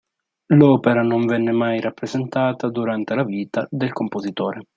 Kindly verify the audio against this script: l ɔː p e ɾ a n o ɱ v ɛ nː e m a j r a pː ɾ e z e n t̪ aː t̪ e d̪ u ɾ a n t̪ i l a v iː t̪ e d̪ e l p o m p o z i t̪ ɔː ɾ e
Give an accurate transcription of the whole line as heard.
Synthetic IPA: l ɔː p e ɾ a n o ɱ v ɛ nː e m a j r a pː ɾ e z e n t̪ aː t̪ a d̪ u ɾ a n t̪ e l a v iː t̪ a d̪ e l k o m p o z i t̪ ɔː ɾ e